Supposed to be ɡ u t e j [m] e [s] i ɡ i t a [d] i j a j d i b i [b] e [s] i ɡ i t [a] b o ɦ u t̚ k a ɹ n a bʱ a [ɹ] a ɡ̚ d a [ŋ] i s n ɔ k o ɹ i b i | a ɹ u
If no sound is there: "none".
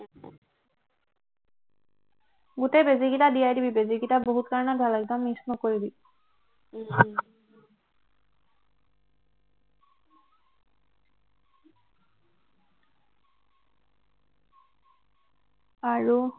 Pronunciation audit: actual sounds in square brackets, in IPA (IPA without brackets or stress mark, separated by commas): b, z, d, b, z, a, l, m